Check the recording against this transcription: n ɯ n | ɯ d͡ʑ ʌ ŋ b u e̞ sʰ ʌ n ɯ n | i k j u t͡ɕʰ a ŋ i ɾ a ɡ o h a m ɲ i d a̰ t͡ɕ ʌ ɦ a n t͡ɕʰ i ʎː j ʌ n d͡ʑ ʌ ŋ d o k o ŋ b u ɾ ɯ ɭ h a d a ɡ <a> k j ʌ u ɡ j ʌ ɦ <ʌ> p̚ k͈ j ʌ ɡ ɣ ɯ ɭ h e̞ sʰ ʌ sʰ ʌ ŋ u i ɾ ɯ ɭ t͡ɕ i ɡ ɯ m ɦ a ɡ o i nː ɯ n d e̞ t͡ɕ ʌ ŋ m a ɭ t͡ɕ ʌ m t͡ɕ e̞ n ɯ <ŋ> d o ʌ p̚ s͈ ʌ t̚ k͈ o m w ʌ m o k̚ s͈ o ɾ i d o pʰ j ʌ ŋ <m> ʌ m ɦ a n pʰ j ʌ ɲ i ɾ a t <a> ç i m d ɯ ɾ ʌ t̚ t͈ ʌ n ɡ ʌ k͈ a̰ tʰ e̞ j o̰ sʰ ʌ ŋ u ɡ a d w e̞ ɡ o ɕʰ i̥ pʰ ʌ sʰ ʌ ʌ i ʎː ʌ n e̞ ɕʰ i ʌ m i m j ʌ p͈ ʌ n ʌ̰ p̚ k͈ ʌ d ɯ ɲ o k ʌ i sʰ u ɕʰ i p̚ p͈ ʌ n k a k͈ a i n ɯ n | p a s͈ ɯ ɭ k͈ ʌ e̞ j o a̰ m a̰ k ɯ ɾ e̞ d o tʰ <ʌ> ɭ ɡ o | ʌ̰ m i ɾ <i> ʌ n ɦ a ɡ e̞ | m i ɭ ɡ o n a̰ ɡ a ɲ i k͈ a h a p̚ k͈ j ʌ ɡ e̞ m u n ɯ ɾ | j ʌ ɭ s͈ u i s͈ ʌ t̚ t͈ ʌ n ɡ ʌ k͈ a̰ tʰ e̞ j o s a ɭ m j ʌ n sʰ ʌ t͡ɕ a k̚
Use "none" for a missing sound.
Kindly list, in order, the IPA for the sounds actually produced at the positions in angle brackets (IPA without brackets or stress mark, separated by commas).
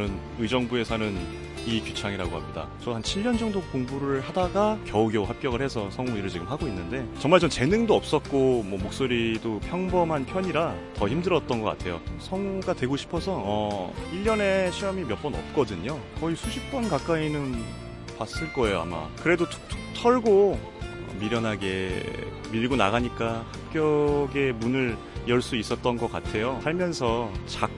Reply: a, a, ŋ, b, ʌ, ʌ, j